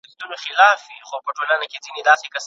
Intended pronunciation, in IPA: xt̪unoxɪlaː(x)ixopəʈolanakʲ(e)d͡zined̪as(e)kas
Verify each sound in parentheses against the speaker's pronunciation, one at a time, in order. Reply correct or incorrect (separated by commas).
incorrect, correct, correct